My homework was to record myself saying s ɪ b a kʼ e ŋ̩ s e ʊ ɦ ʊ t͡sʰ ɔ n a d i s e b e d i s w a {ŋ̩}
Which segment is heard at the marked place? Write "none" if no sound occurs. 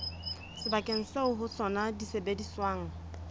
ŋ̩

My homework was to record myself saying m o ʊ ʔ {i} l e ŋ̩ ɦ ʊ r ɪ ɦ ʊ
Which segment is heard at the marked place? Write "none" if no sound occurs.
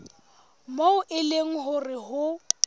ɪ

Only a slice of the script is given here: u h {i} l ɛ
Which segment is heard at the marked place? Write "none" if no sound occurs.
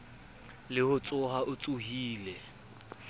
iː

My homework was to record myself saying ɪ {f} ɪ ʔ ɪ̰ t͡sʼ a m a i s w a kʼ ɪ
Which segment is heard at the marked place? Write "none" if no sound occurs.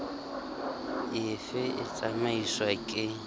f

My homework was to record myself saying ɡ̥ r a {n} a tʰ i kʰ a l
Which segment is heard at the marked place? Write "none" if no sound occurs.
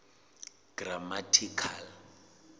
m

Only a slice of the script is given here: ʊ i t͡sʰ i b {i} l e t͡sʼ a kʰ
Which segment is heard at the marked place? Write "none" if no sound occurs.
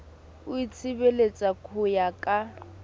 e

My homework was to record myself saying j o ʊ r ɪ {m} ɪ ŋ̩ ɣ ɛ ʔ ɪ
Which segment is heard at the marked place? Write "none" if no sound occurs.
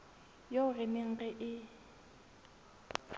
m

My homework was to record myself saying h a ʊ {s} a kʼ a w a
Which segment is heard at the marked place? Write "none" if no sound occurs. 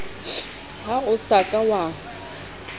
s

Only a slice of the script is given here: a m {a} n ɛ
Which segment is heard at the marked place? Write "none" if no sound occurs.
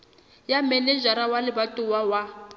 ɛ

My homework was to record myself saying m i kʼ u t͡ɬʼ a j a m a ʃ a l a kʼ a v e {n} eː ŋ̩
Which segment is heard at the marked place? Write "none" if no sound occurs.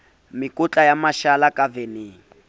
n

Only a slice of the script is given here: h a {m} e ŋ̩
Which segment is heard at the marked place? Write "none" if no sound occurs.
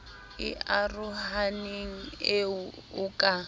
n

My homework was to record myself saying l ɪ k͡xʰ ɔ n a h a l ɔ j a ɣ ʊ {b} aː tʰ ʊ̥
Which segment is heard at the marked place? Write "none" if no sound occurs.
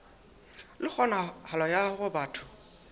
b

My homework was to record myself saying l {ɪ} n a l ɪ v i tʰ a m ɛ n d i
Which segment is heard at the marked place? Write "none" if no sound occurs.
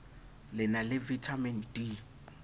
ɪ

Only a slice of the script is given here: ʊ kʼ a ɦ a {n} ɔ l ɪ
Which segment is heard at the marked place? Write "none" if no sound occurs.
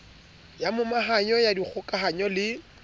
ɲ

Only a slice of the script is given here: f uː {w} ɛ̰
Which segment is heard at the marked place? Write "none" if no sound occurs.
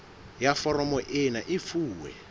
w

